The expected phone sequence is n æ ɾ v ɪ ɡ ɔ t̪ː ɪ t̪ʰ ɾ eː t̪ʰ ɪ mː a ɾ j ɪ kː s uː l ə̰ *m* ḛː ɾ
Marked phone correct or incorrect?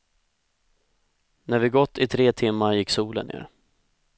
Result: incorrect